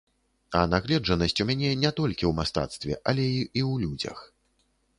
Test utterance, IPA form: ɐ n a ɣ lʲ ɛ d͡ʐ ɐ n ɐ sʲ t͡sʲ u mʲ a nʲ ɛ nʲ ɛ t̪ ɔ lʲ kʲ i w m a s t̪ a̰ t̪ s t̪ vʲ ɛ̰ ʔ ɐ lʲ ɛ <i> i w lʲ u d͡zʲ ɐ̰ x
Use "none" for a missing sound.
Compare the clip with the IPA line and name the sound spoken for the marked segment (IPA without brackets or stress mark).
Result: i